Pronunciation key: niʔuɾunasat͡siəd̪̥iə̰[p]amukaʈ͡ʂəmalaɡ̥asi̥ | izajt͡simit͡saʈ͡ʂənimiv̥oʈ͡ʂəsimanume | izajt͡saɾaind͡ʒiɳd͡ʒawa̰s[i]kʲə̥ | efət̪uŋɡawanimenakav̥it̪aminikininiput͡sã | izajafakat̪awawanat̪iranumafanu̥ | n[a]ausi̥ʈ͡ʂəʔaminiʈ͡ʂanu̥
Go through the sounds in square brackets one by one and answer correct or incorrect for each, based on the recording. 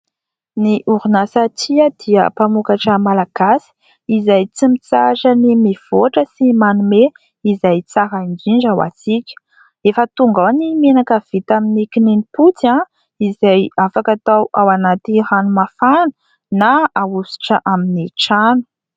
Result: correct, correct, correct

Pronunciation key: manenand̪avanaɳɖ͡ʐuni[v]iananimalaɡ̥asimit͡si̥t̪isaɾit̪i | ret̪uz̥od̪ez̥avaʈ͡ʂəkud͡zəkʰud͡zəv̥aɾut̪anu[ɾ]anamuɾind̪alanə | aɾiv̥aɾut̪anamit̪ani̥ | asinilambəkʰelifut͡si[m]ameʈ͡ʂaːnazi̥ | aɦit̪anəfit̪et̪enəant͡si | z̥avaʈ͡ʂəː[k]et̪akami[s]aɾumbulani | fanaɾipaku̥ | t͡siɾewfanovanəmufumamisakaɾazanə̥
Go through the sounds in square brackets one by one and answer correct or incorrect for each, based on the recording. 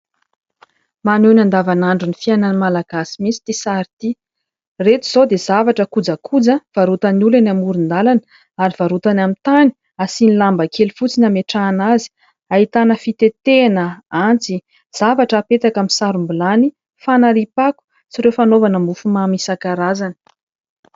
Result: incorrect: f, incorrect: l, incorrect: n, incorrect: p, correct

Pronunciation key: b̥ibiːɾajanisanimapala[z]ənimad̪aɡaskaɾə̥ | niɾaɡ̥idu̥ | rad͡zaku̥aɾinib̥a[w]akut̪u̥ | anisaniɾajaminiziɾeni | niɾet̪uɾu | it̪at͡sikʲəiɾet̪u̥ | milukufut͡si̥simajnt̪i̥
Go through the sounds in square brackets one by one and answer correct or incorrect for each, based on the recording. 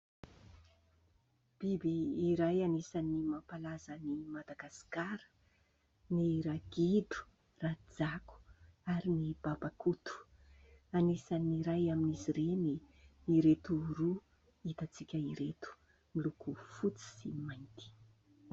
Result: correct, incorrect: b

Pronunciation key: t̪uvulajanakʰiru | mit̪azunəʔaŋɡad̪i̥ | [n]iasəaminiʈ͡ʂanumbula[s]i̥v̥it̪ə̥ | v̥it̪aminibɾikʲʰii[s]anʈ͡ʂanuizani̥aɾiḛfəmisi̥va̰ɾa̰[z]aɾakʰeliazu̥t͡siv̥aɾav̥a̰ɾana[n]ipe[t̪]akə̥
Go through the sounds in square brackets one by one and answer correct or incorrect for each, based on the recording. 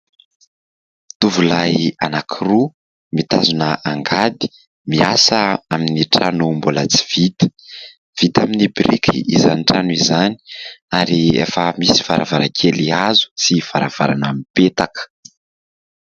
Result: incorrect: m, incorrect: t͡s, incorrect: z, incorrect: v, incorrect: m, correct

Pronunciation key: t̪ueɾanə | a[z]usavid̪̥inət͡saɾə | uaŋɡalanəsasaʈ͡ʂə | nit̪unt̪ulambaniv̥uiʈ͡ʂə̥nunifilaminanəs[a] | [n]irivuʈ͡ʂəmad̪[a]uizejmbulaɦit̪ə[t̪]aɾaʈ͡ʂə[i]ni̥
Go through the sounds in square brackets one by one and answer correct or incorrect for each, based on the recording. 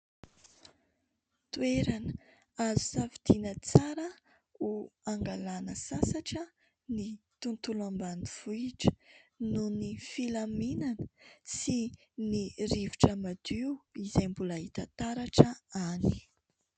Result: correct, incorrect: i, correct, incorrect: i, correct, incorrect: a

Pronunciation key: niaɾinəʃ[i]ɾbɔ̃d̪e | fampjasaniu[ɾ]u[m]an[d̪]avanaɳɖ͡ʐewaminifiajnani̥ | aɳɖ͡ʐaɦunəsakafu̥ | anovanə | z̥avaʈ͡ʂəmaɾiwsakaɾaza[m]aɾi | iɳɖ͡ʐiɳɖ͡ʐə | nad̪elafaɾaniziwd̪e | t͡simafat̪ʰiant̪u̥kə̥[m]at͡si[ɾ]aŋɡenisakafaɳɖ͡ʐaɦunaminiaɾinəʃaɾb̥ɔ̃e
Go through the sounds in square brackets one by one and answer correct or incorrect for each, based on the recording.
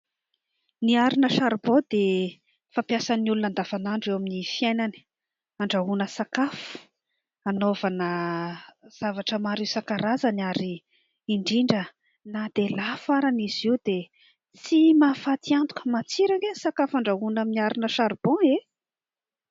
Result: incorrect: a, incorrect: l, incorrect: n, correct, incorrect: n, correct, correct

